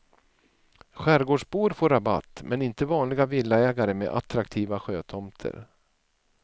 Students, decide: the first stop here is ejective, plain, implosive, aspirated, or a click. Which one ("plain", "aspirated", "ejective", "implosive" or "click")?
plain